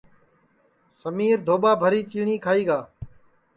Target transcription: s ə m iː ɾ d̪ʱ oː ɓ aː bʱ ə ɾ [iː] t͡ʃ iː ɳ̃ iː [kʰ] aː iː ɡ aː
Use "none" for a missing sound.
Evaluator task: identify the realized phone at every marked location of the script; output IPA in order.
iː, kʰ

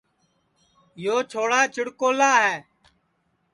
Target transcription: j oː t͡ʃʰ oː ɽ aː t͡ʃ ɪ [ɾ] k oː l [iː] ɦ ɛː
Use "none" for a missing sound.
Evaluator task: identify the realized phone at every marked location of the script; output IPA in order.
ɽ, aː

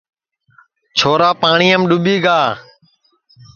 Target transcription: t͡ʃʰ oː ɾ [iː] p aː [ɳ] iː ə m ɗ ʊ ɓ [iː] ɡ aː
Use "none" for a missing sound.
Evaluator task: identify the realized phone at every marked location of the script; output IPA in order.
aː, ɳ, iː

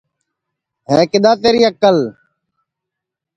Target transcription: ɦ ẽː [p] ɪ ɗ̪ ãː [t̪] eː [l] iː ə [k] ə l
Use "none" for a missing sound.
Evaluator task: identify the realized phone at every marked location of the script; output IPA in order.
k, t̪, ɾ, k

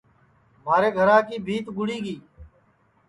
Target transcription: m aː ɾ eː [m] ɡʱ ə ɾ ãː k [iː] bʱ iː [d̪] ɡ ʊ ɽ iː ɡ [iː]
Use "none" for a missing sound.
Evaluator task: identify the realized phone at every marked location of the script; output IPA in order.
none, iː, t̪, iː

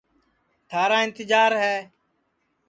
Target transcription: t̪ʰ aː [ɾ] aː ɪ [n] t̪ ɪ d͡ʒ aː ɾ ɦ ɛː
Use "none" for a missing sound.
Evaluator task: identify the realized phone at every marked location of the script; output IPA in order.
ɾ, n

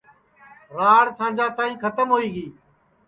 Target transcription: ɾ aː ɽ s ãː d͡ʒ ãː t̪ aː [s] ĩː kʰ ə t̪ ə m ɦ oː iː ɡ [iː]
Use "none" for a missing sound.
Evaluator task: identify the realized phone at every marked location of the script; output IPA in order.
none, iː

